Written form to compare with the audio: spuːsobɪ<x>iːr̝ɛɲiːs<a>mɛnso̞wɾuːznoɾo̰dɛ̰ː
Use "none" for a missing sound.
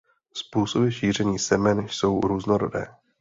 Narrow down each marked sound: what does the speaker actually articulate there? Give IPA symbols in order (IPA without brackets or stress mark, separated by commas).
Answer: ʃ, ɛ